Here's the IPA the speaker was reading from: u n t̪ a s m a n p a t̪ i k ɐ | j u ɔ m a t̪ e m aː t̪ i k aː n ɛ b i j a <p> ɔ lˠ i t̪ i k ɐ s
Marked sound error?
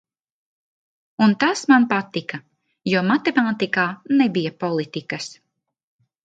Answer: no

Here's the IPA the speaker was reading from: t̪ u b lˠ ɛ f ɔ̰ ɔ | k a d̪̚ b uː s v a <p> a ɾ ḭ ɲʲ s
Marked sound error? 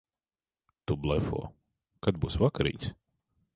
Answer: yes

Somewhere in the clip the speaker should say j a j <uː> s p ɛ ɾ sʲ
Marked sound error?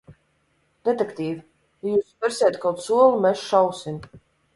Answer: no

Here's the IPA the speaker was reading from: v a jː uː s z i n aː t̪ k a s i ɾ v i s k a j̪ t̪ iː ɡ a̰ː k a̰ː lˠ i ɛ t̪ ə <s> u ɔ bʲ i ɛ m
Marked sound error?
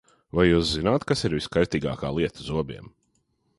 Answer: yes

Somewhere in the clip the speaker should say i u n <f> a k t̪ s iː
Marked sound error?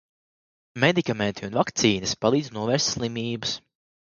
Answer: yes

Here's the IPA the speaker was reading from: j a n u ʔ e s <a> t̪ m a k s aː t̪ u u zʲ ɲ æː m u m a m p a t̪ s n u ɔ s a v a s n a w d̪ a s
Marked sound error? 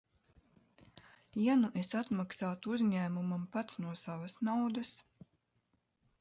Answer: no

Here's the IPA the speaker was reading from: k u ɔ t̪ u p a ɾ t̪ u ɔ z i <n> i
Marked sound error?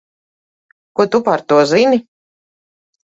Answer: no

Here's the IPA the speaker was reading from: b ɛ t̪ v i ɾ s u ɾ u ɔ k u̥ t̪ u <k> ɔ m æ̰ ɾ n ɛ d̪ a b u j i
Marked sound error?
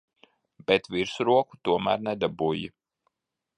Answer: yes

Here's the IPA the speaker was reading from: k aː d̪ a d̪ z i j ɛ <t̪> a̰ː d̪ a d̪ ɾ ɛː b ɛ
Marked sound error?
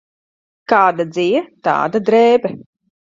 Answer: no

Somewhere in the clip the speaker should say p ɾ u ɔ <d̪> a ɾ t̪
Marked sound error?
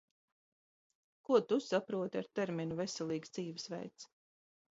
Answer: yes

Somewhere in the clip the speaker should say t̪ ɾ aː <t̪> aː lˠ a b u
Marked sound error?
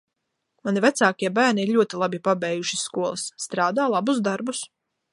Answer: yes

